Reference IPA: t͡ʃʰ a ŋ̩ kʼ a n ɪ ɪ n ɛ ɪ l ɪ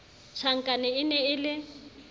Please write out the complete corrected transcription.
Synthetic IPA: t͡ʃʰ a ŋ̩ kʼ a n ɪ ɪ n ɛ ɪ l ɪ